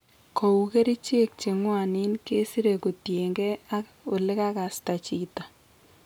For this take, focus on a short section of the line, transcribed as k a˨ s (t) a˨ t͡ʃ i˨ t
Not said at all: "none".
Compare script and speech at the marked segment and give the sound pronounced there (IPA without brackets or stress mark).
t